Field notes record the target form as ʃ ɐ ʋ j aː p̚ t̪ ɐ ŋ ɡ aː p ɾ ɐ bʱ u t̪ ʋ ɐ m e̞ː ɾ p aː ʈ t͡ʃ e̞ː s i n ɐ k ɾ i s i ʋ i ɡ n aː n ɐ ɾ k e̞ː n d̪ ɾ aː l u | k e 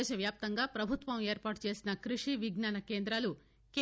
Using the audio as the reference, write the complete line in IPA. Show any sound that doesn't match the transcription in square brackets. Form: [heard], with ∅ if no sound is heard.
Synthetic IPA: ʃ ɐ ʋ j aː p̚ t̪ ɐ ŋ ɡ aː p ɾ ɐ bʱ u t̪ ʋ ɐ m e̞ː ɾ p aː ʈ t͡ʃ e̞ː s i n ɐ k ɾ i [ʂ] i ʋ i ɡ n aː n ɐ [∅] k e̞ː n d̪ ɾ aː l u | k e